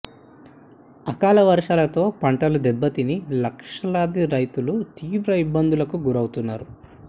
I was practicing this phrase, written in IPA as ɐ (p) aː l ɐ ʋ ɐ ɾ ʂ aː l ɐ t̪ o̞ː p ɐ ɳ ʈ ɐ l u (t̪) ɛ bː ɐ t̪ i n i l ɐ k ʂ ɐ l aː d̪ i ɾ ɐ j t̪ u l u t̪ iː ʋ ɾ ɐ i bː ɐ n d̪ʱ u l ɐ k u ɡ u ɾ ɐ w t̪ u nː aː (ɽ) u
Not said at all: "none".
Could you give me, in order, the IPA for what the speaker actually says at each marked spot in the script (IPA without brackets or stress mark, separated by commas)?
k, d̪, ɾ